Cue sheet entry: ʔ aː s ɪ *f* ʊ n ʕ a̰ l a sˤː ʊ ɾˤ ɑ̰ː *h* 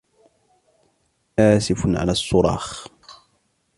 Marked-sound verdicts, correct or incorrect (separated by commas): correct, incorrect